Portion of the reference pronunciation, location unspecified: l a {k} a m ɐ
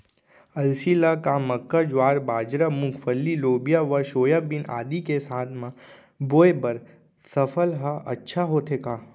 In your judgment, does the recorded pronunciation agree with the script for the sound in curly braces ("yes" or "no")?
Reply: yes